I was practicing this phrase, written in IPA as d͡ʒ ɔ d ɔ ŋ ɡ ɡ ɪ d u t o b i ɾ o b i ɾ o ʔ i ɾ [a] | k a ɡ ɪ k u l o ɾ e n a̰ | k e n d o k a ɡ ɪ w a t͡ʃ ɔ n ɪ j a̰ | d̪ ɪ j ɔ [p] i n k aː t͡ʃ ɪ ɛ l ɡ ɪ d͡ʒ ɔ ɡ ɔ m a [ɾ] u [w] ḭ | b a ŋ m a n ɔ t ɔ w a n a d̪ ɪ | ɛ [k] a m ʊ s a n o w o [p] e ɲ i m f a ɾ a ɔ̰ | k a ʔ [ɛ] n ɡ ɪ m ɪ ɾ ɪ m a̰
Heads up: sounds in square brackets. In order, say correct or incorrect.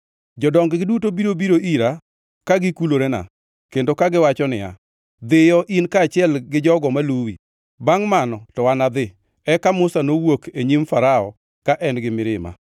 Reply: correct, incorrect, incorrect, correct, correct, incorrect, correct

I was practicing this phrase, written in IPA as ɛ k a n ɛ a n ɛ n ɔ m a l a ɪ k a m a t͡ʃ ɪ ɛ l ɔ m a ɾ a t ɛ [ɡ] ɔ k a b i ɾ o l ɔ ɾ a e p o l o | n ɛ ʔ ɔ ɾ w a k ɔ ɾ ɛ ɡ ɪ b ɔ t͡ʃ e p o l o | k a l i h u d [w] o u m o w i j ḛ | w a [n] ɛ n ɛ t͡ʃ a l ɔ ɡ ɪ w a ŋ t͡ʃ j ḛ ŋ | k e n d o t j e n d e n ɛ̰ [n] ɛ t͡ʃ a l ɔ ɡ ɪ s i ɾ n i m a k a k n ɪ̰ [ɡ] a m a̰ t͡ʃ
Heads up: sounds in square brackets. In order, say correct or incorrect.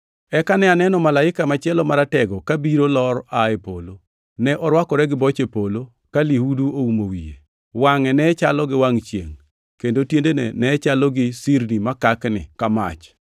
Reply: correct, incorrect, incorrect, correct, incorrect

